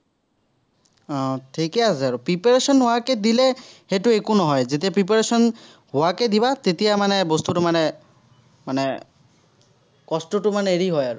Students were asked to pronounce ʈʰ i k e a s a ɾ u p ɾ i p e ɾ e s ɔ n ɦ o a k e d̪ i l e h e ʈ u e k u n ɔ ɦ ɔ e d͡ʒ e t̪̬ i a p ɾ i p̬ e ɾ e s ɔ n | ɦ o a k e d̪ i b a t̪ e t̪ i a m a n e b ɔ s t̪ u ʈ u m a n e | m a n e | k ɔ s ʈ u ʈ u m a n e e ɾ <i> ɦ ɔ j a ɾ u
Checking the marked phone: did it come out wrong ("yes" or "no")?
no